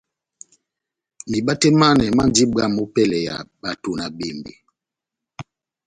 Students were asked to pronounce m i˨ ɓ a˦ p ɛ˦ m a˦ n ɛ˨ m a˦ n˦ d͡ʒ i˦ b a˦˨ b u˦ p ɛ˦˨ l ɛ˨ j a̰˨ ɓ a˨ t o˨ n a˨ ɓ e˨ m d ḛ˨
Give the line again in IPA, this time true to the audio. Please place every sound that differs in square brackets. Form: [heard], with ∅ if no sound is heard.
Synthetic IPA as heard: m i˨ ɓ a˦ [t] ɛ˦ m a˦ n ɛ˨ m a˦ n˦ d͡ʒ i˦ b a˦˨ [m] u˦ p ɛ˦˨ l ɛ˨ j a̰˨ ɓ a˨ t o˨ n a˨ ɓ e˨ m [b] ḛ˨